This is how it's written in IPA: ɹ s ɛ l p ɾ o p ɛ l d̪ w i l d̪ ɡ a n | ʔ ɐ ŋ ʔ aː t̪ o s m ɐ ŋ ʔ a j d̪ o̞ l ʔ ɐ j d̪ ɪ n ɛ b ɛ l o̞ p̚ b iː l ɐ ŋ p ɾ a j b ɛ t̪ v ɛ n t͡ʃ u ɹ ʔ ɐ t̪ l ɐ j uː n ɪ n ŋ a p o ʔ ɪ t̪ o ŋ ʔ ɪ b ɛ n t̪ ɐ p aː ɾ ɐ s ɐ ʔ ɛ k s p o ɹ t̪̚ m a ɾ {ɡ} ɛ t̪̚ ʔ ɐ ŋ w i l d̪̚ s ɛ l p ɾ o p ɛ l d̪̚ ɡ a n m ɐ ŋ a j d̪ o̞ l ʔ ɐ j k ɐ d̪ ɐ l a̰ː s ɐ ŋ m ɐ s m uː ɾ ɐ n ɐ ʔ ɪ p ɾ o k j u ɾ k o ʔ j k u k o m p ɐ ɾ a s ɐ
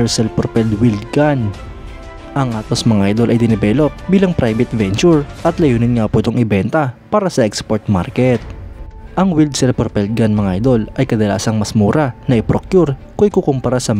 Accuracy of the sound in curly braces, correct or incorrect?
incorrect